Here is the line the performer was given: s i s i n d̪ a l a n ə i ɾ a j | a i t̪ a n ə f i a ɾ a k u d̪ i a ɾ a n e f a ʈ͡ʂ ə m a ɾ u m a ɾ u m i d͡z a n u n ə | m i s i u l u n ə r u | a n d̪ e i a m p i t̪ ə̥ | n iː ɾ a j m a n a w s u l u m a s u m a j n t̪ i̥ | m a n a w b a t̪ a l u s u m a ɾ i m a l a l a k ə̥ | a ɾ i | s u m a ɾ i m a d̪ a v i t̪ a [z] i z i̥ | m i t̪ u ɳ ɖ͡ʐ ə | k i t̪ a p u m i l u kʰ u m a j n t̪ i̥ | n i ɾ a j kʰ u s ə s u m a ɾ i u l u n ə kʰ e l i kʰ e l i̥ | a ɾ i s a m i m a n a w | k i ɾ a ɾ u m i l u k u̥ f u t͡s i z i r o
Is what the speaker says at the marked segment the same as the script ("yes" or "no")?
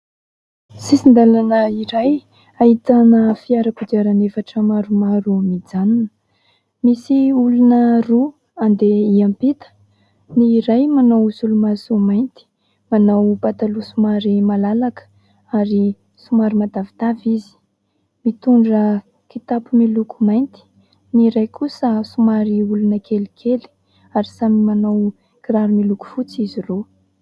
no